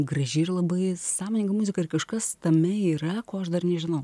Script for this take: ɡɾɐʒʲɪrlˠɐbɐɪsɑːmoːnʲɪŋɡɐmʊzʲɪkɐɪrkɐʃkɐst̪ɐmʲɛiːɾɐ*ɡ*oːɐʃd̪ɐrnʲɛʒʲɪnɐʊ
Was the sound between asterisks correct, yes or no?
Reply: no